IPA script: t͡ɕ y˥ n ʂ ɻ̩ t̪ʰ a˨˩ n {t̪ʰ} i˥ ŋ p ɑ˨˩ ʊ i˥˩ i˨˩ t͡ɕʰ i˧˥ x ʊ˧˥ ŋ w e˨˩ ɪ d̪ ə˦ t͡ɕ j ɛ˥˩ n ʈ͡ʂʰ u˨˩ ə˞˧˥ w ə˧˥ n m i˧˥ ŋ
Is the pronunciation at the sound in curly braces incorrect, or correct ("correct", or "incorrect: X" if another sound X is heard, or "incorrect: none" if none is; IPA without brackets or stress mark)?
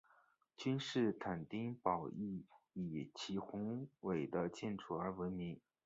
incorrect: t̪